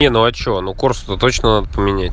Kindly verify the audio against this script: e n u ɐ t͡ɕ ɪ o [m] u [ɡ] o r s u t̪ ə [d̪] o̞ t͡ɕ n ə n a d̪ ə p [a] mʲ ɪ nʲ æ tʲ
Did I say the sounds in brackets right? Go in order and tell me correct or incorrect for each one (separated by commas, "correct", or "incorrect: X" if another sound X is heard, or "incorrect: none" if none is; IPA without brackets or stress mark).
incorrect: n, incorrect: k, incorrect: t̪, incorrect: ə